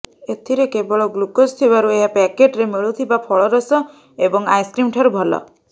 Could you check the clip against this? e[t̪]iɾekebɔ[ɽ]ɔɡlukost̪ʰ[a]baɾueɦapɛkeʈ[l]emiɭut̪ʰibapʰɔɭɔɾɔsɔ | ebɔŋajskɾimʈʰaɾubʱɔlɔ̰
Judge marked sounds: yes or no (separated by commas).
no, no, no, no